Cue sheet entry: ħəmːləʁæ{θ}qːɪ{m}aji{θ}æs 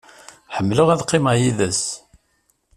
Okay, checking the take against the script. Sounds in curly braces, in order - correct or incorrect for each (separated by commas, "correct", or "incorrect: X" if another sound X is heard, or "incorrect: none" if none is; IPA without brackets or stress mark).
incorrect: ð, correct, incorrect: ð